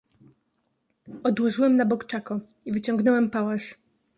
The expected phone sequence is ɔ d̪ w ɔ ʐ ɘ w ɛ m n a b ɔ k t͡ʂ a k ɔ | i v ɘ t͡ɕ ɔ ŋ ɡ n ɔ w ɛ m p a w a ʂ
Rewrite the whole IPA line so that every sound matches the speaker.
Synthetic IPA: ɔ d̪ w ɔ ʐ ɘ w ɛ m n a b ɔ k t͡ʂ a k ɔ | i v ɘ t͡ɕ ɔ ŋ ɡ n ɔ w ɛ m p a w a ʂ